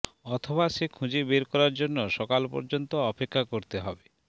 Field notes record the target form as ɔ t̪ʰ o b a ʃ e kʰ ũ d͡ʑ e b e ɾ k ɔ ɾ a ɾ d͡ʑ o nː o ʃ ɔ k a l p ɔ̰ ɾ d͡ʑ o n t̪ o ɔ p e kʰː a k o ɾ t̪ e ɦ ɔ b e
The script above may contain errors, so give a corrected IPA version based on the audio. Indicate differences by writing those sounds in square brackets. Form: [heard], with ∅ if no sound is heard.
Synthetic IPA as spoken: ɔ t̪ʰ o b a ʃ e kʰ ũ d͡ʑ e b e ɾ k ɔ ɾ a ɾ d͡ʑ o nː o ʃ ɔ k a l p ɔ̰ ɾ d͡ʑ o n t̪ o ɔ p e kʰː a k o ɾ t̪ e ɦ ɔ b e